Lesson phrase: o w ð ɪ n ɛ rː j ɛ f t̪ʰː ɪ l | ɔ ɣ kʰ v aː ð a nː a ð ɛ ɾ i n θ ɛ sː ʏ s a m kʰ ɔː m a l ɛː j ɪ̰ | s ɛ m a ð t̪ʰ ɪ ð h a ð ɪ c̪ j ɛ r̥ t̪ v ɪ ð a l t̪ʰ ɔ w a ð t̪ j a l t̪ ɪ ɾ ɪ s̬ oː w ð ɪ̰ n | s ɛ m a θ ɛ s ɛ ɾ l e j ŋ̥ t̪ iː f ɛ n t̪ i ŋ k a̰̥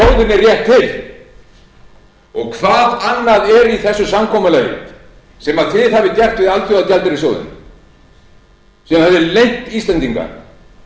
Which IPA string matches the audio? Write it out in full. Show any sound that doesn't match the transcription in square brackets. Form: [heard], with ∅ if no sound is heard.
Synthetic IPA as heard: o w ð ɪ n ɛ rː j ɛ [h] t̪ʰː ɪ l | ɔ ɣ kʰ v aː ð a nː a ð ɛ ɾ i [∅] θ ɛ sː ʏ s a m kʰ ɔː m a l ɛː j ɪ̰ | s ɛ m a ð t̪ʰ ɪ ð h a [v] ɪ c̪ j ɛ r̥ t̪ v ɪ ð a l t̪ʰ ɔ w a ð t̪ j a l t̪ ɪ ɾ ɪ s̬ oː w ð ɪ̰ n | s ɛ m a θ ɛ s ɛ ɾ l e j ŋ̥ t̪ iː [s] ɛ n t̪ i ŋ k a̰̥